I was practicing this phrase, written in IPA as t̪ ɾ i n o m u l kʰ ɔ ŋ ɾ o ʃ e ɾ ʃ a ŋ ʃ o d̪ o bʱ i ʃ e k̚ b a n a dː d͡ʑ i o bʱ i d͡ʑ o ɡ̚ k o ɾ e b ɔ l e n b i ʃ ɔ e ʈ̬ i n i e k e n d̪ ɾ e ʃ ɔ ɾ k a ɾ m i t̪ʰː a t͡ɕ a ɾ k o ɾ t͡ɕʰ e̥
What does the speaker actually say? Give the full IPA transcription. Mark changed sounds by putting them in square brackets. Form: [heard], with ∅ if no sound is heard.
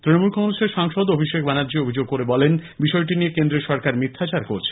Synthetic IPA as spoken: t̪ ɾ i n o m u l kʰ ɔ ŋ ɾ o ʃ e ɾ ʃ a ŋ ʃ o d̪ o bʱ i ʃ e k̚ b a n a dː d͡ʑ i o bʱ i d͡ʑ o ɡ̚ k o ɾ e b ɔ l e n b i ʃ ɔ e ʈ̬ i n i e k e n d̪ ɾ e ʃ ɔ ɾ k a ɾ m i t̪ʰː a t͡ɕ a ɾ k o ɾ t͡ɕʰ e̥

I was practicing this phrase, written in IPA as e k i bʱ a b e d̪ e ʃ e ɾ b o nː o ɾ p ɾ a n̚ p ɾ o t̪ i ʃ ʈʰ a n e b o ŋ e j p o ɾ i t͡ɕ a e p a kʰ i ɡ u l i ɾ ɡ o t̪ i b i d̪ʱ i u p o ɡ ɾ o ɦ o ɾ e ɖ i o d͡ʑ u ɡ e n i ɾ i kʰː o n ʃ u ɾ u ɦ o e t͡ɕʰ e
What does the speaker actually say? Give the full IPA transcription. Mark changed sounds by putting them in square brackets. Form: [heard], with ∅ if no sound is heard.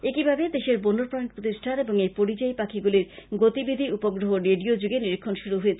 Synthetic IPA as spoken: e k i bʱ a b e d̪ e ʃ e ɾ b o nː o ɾ p ɾ a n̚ p ɾ o t̪ i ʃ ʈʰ a n e b o ŋ e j p o ɾ i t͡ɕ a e p a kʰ i ɡ u l i ɾ ɡ o t̪ i b i d̪ʱ i u p o ɡ ɾ o ɦ o ɾ e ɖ i o d͡ʑ u ɡ e n i ɾ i kʰː o n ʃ u ɾ u ɦ o e t͡ɕʰ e

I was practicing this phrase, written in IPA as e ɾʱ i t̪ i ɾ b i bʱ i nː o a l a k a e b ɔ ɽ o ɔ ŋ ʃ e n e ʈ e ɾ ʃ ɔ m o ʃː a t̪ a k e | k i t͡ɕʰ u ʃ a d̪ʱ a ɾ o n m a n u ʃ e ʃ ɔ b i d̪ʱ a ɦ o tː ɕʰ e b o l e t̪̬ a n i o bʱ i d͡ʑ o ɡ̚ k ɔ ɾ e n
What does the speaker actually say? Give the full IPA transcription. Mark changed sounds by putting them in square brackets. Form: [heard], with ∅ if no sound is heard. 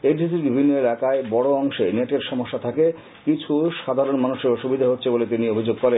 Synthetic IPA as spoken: e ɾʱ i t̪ i ɾ b i bʱ i nː o [e] l a k a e b ɔ ɽ o ɔ ŋ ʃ e n e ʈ e ɾ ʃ ɔ m o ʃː a [t̪ʰ] a k e | k i t͡ɕʰ u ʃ a d̪ʱ a ɾ o n m a n u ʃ e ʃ [u] b i d̪ʱ a ɦ o tː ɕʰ e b o l e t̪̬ [i] n i o bʱ i d͡ʑ o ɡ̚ k ɔ ɾ e n

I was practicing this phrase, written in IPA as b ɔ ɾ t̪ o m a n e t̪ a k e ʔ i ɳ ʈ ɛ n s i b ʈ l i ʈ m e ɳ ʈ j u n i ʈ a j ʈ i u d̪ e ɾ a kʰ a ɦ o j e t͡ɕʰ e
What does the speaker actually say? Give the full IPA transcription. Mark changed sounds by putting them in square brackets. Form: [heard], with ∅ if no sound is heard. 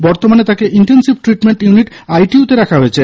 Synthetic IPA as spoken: b ɔ ɾ t̪ o m a n e t̪ a k e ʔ i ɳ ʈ [e] n s i b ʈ [ɾ] i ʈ m e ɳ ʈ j u n i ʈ a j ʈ i u [t̪] e ɾ a kʰ a ɦ o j e t͡ɕʰ e

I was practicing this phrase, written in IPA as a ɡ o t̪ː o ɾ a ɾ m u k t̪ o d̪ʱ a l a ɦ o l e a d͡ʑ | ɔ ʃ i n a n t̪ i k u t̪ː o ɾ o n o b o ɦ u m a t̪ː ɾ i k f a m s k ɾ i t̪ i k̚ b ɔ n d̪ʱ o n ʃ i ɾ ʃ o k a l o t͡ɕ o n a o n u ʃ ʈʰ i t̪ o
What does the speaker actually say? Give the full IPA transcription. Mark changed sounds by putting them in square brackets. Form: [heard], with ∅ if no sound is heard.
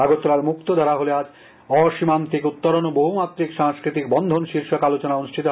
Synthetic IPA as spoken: a ɡ o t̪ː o ɾ a ɾ m u k t̪ o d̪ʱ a [ɾ] a ɦ o l e a d͡ʑ | ɔ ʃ i [m] a n t̪ i k u t̪ː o ɾ o n o b o ɦ u m a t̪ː ɾ i k [ʃ] a [ŋ] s k ɾ i t̪ i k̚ b ɔ n d̪ʱ o n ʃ i ɾ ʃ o k a l o t͡ɕ o n a o n u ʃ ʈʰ i t̪ o

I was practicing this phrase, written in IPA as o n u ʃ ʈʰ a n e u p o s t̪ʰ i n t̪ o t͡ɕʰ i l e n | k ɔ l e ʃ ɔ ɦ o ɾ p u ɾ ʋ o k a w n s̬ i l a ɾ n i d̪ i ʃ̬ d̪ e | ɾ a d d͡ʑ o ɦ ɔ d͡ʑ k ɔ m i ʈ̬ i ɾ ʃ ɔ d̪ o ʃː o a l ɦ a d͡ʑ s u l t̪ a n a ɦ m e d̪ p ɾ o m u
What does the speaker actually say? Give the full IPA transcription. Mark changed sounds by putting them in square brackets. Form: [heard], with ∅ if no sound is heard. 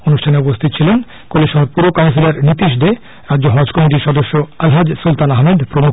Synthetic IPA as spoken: o n u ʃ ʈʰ a n e u p o s t̪ʰ i [∅] t̪ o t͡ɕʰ i l e n | k [o] l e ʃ ɔ ɦ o ɾ p u ɾ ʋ o k a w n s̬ i l a ɾ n i [t̪] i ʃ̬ d̪ e | ɾ a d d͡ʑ o ɦ ɔ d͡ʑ k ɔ m i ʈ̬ i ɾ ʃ ɔ d̪ o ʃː o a l ɦ a d͡ʑ s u l t̪ a n a ɦ m e d̪ p ɾ o m u

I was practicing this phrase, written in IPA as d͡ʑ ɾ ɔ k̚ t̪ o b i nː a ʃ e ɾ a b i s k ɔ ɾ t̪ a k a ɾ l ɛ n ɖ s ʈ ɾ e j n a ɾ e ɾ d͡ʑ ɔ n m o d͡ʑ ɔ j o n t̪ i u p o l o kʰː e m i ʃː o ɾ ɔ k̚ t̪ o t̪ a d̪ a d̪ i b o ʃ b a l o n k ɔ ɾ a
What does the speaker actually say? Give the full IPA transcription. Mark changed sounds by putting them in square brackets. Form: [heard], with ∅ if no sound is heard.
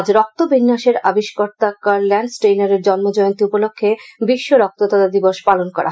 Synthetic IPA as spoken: d͡ʑ ɾ ɔ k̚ t̪ o b i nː a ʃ e ɾ a b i [ʃ] k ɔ ɾ t̪ a k a ɾ l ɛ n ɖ s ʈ ɾ e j n a ɾ e ɾ d͡ʑ ɔ n m o d͡ʑ ɔ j o n t̪ i u p o l o kʰː e [b] i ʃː o ɾ ɔ k̚ t̪ o t̪ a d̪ a d̪ i b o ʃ [p] a l o n k ɔ ɾ a

